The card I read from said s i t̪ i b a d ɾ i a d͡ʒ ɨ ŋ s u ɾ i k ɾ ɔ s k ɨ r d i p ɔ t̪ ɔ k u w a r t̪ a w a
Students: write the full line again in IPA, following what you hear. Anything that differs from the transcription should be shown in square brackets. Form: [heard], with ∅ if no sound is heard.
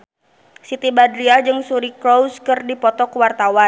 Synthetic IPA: s i t̪ i b a d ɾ i a d͡ʒ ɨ ŋ s u ɾ i k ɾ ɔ s k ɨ r d i p ɔ t̪ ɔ k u w a r t̪ a w a